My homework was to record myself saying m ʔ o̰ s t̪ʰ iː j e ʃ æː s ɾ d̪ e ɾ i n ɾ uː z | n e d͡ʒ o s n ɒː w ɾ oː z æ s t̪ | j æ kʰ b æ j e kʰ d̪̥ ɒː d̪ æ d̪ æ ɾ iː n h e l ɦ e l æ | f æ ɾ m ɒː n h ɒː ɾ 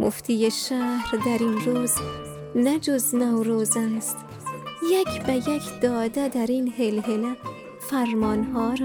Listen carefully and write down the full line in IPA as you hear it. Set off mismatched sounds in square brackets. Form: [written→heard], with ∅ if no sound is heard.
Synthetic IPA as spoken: m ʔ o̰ [s→f] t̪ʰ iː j e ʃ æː [s→h] ɾ d̪ [e→æ] ɾ i n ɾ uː z | n [e→æ] d͡ʒ o [s→z] n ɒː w ɾ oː z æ s t̪ | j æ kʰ b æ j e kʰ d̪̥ ɒː d̪ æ d̪ æ ɾ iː n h e l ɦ e l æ | f æ ɾ m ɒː n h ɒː ɾ